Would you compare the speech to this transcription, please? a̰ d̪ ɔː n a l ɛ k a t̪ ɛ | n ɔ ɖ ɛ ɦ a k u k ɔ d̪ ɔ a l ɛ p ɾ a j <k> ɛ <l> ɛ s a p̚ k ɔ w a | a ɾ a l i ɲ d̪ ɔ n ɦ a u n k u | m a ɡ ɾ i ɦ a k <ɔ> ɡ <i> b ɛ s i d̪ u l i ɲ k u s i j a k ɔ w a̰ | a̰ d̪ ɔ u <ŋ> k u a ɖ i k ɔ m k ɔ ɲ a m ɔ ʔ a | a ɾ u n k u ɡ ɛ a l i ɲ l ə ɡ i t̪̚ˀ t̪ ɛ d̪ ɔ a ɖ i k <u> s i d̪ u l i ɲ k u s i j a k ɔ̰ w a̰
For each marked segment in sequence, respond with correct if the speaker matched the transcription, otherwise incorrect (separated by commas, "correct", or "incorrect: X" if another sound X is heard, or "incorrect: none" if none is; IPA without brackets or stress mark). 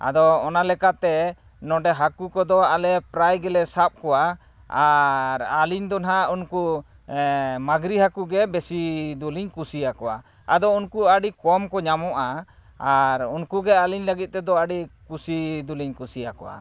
incorrect: ɡ, correct, incorrect: u, incorrect: ɛ, incorrect: n, correct